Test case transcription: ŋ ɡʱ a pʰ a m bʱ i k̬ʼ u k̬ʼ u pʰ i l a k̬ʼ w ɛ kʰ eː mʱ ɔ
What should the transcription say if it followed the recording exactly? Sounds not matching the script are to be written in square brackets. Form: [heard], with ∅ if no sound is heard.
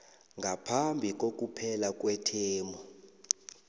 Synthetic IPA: ŋ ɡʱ a pʰ a m bʱ i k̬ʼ [o] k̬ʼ u pʰ [ɛ] l a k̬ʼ w ɛ [tʰ] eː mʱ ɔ